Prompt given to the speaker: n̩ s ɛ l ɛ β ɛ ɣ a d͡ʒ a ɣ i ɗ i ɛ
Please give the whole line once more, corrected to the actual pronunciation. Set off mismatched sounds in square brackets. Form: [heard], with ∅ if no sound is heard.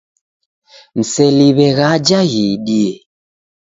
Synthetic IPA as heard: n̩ s ɛ l [i] β ɛ ɣ a d͡ʒ a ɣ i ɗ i ɛ